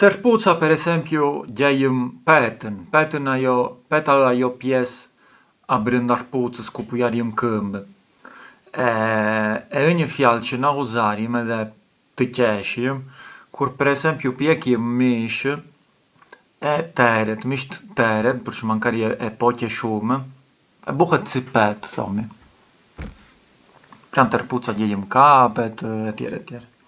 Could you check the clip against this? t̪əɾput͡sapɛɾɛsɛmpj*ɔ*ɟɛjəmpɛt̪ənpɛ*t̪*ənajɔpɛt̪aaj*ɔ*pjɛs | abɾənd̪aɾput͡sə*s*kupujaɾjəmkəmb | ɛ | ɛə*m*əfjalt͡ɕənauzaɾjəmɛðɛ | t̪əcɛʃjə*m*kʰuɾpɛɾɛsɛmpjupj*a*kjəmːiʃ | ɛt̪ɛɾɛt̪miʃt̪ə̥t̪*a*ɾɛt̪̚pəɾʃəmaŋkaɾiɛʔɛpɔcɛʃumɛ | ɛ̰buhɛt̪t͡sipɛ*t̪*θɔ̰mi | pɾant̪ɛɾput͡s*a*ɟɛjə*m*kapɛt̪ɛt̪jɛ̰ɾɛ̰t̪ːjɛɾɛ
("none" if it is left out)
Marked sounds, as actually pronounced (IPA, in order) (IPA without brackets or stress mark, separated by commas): u, t̪, ɔ, s, ɲ, m, ɛ, ɛ, t̪, a, m